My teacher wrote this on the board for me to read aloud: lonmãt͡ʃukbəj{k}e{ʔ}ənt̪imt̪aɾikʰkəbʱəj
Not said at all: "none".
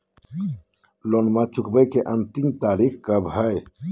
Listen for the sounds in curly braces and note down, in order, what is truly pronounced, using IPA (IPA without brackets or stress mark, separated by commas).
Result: k, ʔ